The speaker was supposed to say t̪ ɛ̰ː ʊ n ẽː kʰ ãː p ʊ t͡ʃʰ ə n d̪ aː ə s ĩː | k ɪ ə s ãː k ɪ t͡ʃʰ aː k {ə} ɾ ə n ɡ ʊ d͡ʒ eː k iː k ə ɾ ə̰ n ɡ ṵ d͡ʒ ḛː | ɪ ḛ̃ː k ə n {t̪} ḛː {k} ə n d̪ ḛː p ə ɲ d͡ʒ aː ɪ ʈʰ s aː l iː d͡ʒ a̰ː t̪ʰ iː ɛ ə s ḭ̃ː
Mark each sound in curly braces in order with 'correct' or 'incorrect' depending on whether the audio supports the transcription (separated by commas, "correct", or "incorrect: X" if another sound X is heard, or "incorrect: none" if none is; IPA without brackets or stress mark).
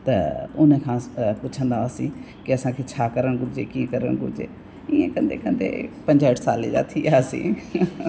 correct, incorrect: d̪, correct